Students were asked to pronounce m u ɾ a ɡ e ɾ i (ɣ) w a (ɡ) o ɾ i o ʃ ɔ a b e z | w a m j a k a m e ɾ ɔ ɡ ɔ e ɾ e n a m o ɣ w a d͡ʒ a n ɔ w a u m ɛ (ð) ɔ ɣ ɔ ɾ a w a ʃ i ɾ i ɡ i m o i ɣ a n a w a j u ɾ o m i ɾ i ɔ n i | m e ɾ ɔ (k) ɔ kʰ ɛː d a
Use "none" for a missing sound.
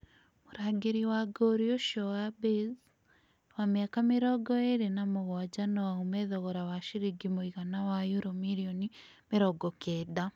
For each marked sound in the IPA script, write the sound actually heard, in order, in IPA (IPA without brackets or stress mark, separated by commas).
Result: none, ɡ, ð, ɡ